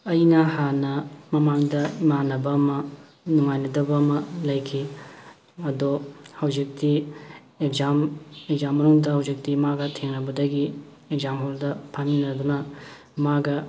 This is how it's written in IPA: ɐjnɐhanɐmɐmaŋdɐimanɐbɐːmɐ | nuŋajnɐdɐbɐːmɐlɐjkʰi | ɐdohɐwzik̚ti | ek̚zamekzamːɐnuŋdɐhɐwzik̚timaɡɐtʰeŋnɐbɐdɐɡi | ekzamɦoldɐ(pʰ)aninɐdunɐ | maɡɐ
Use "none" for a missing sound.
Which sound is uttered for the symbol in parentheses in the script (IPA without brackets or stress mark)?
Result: pʰ